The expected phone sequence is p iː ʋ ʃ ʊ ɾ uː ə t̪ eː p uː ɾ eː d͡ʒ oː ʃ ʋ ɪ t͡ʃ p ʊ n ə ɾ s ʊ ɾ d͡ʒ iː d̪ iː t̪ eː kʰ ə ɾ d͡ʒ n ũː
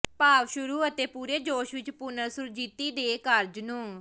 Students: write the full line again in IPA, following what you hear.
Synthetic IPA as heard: p aː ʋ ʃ ʊ ɾ uː ə t̪ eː p uː ɾ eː d͡ʒ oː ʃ ʋ ɪ t͡ʃ p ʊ n ə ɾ s ʊ ɾ d͡ʒ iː t̪ iː d̪ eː k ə ɾ d͡ʒ n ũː